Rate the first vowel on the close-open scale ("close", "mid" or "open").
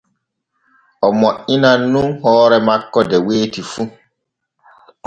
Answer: mid